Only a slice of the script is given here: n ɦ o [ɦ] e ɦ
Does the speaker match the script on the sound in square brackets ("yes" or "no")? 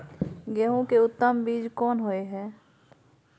no